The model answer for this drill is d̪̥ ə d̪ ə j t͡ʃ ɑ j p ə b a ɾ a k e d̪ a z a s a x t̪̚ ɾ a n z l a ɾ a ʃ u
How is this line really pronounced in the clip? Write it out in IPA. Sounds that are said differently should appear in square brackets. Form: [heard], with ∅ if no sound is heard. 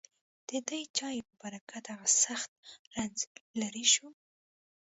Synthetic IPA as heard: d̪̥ ə d̪ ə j t͡ʃ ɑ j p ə b a ɾ a k [a] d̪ a [ɣ] a s a x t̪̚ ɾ a n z l a ɾ [i] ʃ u